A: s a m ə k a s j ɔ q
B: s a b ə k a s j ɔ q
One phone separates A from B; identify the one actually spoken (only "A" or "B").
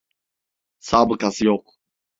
B